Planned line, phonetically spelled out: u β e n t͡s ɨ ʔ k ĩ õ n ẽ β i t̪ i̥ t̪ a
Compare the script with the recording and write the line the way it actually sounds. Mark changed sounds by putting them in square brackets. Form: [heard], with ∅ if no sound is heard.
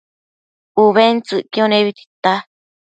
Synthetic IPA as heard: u β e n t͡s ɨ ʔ k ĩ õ n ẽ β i t̪ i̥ t̪ a